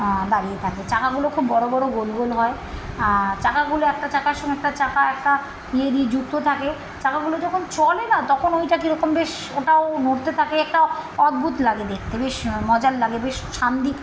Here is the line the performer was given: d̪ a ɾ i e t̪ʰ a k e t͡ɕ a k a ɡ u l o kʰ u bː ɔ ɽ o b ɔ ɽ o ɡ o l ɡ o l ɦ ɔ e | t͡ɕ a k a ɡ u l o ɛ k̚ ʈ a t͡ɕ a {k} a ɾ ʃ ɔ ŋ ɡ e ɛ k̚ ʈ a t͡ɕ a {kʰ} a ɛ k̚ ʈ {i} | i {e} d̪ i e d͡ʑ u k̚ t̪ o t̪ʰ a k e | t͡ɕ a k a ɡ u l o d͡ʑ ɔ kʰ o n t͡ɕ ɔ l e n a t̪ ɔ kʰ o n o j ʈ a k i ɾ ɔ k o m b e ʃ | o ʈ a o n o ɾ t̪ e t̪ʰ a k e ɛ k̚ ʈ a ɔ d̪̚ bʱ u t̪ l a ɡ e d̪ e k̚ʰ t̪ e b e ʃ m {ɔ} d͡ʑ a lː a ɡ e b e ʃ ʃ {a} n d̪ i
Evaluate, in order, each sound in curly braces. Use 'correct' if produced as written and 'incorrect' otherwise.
correct, incorrect, incorrect, correct, correct, correct

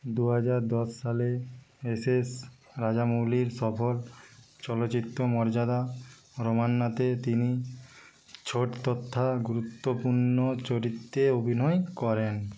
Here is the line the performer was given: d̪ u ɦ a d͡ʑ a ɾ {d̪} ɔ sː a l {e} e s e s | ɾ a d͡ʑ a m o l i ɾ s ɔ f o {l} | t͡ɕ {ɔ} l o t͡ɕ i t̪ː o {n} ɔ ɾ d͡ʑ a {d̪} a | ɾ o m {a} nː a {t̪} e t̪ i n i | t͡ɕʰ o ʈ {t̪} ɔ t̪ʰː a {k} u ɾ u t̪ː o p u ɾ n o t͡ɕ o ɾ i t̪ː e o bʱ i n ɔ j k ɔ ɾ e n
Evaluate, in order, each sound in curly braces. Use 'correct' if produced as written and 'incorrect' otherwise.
correct, correct, correct, correct, incorrect, correct, correct, correct, correct, incorrect

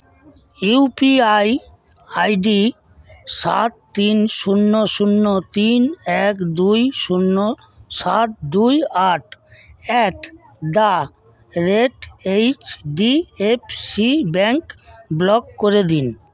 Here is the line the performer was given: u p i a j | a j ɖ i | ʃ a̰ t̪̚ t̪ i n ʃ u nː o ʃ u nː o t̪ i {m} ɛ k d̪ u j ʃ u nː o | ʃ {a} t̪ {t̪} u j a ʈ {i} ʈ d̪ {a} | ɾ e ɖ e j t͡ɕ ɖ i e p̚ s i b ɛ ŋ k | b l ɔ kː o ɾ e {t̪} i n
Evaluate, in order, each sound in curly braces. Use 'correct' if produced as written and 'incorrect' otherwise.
incorrect, correct, incorrect, incorrect, correct, incorrect

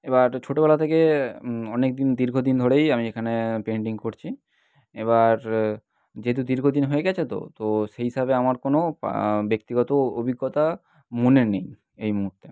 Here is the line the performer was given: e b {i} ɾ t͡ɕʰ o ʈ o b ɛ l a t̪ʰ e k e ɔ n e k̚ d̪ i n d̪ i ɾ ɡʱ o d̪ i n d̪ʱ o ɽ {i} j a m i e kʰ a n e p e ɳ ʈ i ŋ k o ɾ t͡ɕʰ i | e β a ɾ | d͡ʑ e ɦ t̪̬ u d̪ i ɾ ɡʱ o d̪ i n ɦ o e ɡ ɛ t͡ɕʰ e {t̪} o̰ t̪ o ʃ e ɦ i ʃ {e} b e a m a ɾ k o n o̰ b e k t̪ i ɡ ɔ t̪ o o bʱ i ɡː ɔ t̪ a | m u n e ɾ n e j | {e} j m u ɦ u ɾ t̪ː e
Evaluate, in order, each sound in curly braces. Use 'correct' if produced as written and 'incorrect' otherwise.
incorrect, incorrect, correct, incorrect, correct

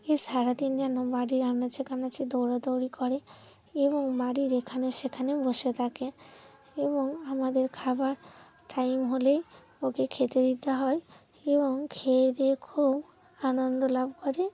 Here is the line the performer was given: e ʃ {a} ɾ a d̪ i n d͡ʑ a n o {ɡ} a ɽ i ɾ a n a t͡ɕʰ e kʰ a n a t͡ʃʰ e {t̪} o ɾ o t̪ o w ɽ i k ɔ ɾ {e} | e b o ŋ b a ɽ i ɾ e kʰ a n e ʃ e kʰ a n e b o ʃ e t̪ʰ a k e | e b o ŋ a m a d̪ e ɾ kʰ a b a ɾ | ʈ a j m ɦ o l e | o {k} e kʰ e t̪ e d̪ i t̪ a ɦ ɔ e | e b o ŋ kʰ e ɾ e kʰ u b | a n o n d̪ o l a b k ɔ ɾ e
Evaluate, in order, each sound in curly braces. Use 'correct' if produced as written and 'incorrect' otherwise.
correct, incorrect, incorrect, correct, correct

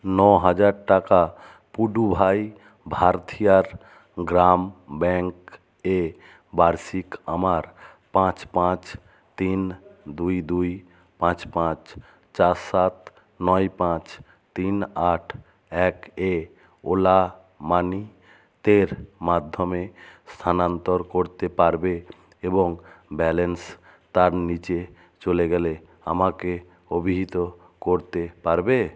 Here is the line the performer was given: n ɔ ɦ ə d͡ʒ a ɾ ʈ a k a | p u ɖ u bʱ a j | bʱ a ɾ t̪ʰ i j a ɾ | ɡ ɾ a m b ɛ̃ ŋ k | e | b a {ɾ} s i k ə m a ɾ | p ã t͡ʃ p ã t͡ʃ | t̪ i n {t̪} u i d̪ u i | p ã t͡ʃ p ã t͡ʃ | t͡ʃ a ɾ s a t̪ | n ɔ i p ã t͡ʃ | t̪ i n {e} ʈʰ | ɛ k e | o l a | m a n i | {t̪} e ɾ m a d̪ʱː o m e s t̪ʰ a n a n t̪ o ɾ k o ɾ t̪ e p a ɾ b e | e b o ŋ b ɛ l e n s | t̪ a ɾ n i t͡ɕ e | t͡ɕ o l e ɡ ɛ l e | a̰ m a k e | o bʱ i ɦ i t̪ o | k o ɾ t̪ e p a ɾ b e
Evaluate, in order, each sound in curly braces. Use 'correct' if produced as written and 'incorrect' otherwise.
correct, incorrect, incorrect, correct

